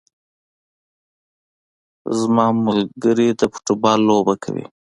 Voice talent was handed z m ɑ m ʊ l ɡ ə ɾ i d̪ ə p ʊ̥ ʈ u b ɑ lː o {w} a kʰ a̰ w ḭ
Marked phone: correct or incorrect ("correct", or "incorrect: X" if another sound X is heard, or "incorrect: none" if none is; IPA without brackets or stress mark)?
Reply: incorrect: b